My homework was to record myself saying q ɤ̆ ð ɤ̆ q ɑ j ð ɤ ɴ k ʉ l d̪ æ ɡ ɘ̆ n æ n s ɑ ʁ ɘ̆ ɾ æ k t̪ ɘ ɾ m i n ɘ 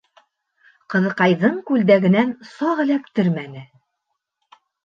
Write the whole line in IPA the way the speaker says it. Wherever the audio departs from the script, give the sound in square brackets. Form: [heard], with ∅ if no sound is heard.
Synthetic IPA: q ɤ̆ ð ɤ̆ q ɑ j ð ɤ ɴ k ʉ l d̪ æ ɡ ɘ̆ n æ n s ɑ ʁ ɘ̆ [l] æ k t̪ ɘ ɾ m [æ] n ɘ